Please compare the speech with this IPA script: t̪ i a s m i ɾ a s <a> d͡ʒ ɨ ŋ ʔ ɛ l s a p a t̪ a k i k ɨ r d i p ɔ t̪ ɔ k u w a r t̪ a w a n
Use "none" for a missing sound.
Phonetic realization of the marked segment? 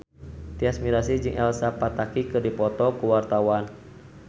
i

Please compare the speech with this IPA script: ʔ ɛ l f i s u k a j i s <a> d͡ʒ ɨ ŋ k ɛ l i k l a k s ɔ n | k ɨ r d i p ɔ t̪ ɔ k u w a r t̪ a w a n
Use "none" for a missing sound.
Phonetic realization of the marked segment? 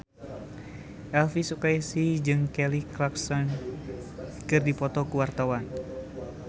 i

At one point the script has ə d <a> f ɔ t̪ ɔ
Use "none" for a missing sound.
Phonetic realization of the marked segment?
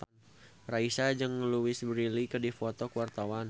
i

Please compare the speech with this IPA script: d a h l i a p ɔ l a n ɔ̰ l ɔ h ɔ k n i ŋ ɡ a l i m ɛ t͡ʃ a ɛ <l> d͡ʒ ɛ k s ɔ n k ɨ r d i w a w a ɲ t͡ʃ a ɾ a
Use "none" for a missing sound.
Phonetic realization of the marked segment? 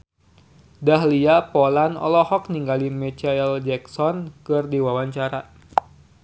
l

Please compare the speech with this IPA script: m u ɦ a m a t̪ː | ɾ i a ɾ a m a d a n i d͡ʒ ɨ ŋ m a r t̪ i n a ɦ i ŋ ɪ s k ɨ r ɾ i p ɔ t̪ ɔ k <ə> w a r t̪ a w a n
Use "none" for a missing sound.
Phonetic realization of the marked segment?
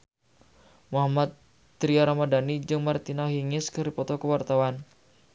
ə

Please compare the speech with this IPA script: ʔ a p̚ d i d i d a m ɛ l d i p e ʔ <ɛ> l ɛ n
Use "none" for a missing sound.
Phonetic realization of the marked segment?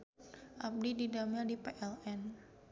ɛ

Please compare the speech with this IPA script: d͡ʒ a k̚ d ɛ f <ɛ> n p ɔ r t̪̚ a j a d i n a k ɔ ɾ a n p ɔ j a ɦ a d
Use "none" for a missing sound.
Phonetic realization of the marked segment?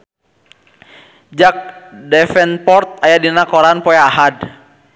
ɛ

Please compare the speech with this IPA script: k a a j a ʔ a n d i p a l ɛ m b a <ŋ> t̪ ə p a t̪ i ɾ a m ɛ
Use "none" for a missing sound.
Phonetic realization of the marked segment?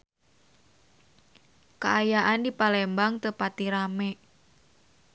ŋ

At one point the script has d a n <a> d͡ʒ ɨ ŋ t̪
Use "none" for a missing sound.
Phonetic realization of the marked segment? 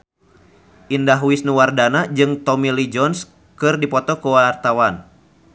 a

